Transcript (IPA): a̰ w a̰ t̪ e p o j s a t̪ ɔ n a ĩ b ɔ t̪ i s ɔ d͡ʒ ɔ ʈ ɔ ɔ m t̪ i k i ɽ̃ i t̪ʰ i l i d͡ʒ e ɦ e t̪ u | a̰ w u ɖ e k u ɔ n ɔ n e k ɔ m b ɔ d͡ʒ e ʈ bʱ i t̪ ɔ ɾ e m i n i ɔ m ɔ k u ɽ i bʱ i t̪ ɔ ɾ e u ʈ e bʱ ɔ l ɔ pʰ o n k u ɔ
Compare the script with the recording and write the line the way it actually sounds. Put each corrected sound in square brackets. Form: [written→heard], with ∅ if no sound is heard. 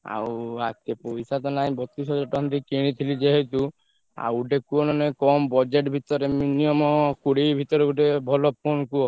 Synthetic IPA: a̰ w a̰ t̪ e p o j s a t̪ ɔ n a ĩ b ɔ t̪ i s ɔ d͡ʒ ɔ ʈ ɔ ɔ [m→n] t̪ i k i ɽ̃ i t̪ʰ i l i d͡ʒ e ɦ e t̪ u | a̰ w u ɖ e k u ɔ n ɔ n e k ɔ m b ɔ d͡ʒ e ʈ bʱ i t̪ ɔ ɾ e m i n i ɔ m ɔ k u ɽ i bʱ i t̪ ɔ ɾ e u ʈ e bʱ ɔ l ɔ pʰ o n k u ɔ